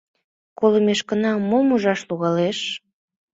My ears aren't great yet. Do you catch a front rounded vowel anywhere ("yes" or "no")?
no